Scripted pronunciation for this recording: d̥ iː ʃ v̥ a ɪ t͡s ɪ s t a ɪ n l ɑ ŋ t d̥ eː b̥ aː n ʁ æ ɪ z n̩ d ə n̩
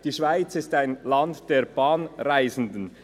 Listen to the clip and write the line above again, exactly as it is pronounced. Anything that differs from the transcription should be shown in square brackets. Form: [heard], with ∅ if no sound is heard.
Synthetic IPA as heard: d̥ iː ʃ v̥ a ɪ t͡s ɪ s t a ɪ n l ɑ [n] t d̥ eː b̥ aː n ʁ [a] ɪ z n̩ d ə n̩

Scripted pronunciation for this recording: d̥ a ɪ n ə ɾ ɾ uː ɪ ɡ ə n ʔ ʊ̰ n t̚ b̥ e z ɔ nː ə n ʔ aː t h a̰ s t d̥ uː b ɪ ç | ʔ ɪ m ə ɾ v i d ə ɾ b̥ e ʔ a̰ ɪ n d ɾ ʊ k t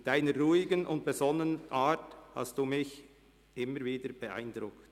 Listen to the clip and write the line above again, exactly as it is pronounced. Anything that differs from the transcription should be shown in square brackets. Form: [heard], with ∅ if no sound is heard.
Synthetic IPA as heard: d̥ a ɪ n ə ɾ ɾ uː ɪ ɡ ə n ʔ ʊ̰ n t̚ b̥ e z ɔ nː ə n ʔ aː t h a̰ s t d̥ uː [m] ɪ ç | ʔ ɪ m ə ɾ v [iː] d ə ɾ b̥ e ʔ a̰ ɪ n d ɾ ʊ k t

